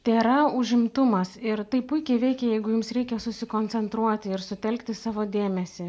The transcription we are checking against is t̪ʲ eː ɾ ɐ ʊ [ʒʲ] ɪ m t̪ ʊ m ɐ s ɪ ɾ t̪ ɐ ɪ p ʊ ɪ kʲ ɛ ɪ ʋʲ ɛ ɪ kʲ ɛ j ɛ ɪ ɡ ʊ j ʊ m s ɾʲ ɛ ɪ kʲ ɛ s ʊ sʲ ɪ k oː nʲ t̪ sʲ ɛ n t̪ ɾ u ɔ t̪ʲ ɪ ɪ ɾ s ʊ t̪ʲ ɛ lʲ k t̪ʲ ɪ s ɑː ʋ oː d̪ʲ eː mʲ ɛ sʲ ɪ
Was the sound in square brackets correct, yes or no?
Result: yes